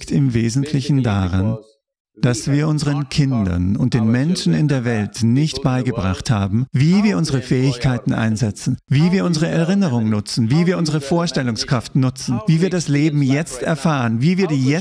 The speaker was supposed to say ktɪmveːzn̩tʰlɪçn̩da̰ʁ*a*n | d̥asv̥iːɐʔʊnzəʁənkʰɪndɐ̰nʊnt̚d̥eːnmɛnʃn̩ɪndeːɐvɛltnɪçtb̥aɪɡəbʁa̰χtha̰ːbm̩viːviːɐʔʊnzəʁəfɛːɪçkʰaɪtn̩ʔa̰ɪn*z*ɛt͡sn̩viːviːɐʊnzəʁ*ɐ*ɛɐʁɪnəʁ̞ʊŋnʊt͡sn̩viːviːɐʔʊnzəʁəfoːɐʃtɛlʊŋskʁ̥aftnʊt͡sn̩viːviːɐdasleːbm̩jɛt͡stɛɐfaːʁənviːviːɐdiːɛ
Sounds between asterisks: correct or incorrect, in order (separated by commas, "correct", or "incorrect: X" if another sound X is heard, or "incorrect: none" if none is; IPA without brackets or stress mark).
correct, correct, incorrect: ə